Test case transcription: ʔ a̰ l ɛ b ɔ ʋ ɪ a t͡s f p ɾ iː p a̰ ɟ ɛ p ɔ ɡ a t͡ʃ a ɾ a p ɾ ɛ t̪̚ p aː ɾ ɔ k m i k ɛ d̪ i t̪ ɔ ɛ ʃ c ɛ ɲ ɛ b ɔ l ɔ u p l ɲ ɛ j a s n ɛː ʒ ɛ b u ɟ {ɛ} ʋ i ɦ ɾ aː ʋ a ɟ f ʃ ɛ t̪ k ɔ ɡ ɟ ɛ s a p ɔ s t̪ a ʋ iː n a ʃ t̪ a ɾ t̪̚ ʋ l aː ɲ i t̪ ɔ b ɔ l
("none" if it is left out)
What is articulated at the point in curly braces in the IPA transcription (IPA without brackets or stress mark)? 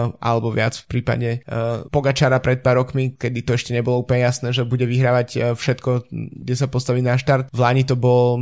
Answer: ɛ